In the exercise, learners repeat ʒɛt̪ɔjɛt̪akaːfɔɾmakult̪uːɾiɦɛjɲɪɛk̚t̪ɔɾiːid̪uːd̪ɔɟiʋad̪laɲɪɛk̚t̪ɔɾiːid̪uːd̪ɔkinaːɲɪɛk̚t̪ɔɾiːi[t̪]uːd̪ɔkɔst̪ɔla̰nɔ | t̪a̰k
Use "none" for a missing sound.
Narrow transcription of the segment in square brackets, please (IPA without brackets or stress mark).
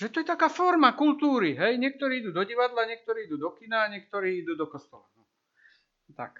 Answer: d̪